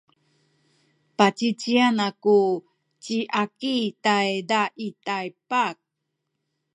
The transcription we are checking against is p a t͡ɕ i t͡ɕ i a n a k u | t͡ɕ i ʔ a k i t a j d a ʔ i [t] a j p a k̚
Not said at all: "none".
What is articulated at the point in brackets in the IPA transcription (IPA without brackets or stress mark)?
t